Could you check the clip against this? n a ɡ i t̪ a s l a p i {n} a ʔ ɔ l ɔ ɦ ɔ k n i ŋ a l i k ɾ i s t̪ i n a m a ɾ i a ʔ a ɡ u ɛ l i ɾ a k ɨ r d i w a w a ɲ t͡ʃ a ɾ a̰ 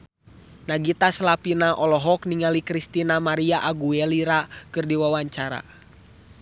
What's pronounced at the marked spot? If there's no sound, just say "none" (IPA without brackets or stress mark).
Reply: n